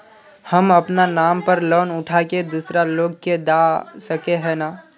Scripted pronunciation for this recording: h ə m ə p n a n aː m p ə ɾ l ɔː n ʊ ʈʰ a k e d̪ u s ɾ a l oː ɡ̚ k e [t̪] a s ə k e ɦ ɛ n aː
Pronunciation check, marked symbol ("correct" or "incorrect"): incorrect